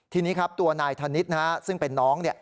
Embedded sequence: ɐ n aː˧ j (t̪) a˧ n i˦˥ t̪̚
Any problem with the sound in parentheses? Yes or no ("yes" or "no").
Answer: yes